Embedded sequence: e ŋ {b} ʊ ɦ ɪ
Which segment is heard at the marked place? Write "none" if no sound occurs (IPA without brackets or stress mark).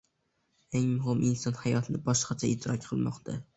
m